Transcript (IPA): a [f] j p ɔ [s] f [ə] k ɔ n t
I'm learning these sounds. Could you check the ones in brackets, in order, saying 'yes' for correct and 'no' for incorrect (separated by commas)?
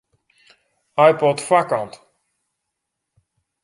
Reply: no, no, no